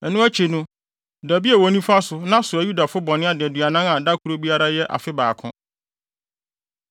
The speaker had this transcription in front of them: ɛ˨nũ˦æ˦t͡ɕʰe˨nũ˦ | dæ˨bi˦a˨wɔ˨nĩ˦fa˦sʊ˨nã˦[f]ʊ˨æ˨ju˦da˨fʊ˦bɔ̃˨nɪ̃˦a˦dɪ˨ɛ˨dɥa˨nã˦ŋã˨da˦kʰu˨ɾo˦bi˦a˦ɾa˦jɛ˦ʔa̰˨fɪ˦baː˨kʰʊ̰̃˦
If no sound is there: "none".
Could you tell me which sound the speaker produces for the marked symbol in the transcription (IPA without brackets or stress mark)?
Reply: s